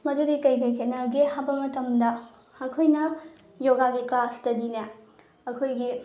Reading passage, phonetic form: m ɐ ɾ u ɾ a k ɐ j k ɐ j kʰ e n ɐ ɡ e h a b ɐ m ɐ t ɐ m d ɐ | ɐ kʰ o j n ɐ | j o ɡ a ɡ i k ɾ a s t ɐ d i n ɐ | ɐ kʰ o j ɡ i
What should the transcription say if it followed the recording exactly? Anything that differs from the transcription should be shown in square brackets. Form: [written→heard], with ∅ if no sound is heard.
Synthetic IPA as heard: m ɐ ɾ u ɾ [a→i] k ɐ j k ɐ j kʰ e n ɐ ɡ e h a b ɐ m ɐ t ɐ m d ɐ | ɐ kʰ o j n ɐ | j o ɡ a ɡ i k [ɾ→l] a s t ɐ d i n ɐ | ɐ kʰ o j ɡ i